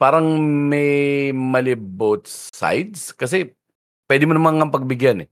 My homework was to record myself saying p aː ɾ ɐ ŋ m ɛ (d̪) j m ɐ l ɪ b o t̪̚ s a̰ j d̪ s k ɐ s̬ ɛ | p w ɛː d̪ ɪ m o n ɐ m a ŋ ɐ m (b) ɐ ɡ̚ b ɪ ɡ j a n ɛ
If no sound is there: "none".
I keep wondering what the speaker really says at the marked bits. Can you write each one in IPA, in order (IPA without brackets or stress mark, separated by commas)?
none, p